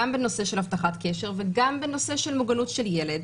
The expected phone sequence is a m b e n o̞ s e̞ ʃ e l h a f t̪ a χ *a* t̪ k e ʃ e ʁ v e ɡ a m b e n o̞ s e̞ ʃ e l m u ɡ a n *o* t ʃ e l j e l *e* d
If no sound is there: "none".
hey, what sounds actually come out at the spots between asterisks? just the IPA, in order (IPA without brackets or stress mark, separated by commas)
a, u, e